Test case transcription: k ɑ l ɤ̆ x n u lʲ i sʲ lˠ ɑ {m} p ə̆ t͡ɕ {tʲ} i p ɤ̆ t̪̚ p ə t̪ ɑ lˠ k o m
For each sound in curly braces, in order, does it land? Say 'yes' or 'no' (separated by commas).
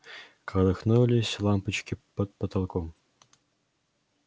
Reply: yes, no